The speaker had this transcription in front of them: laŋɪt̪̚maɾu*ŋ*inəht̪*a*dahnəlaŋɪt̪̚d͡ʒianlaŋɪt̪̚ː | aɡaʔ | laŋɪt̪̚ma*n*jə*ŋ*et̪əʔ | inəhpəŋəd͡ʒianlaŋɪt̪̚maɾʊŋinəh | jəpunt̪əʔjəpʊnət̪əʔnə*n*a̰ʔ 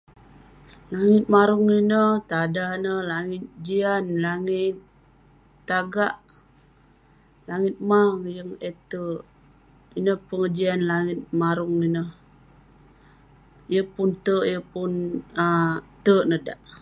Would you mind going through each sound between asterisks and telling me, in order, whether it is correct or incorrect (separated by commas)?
correct, correct, incorrect, correct, incorrect